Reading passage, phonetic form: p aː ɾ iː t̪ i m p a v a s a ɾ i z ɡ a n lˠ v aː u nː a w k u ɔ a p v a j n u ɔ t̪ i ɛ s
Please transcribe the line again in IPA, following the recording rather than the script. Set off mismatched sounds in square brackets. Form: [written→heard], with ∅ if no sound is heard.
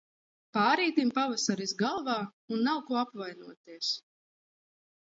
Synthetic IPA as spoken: p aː ɾ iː t̪ i m p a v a s a ɾ i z ɡ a [n→∅] lˠ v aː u nː a w k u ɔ a p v a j n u ɔ t̪ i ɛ s